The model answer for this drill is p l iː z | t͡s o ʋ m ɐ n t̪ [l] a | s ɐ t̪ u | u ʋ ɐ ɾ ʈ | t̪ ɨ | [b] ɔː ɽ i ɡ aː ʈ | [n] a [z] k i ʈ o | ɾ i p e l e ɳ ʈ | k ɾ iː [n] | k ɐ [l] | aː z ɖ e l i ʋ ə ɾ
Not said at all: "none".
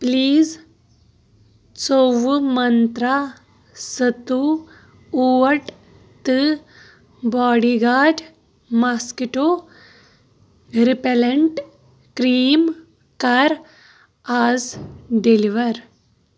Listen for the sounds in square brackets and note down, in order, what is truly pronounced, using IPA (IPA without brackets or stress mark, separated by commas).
ɾ, b, m, s, m, ɾ